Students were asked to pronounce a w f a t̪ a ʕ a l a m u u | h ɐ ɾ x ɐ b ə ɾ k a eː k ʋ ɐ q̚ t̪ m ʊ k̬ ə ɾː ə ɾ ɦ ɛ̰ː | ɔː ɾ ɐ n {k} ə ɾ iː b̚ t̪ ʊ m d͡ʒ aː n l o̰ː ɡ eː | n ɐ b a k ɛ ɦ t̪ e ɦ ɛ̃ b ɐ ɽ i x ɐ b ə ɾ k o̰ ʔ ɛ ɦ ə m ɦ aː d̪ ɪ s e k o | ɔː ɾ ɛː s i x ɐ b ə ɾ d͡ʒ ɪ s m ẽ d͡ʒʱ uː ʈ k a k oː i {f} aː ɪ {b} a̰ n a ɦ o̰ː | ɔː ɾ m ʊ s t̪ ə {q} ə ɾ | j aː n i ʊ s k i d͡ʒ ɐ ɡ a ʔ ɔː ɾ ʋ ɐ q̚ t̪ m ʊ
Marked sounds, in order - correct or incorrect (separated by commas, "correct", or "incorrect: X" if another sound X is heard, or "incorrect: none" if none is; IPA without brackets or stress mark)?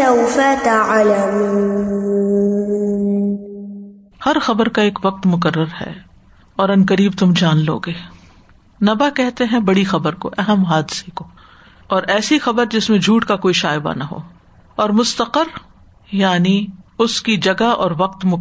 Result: correct, incorrect: ʃ, correct, correct